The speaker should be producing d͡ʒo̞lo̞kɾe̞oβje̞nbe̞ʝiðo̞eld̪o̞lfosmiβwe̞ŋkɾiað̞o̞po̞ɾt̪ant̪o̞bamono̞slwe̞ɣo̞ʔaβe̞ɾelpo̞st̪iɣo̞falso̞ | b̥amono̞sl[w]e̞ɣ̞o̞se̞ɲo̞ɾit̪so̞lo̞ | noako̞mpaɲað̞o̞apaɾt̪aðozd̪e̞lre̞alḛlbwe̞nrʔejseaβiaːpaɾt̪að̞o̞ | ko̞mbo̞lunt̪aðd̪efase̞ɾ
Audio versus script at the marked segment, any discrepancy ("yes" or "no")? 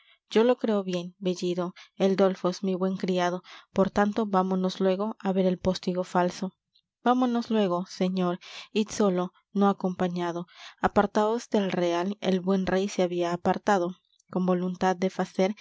no